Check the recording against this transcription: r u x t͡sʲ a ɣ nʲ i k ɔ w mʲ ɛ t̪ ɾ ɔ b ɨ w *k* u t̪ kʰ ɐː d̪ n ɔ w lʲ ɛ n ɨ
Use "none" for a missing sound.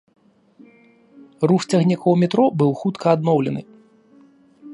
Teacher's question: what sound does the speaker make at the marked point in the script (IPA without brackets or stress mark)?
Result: x